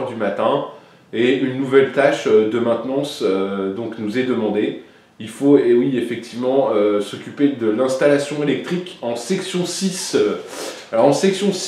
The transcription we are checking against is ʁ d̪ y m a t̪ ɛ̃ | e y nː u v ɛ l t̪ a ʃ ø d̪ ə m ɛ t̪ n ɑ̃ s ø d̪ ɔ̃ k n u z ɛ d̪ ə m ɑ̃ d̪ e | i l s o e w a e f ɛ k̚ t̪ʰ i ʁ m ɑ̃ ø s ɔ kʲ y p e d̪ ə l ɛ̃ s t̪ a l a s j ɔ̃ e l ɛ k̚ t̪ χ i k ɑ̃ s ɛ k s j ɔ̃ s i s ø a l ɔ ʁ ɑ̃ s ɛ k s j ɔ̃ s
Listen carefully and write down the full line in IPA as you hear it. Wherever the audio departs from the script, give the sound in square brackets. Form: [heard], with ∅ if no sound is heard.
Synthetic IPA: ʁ d̪ y m a t̪ ɛ̃ | e y nː u v ɛ l t̪ a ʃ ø d̪ ə m [ɛ̃] t̪ n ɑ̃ s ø d̪ ɔ̃ k n u z ɛ d̪ ə m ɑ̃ d̪ e | i l [f] o e w [i] e f ɛ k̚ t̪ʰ i [v] m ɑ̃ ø s ɔ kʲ y p e d̪ ə l ɛ̃ s t̪ a l a s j ɔ̃ e l ɛ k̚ t̪ χ i k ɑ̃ s ɛ k s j ɔ̃ s i s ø a l ɔ ʁ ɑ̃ s ɛ k s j ɔ̃ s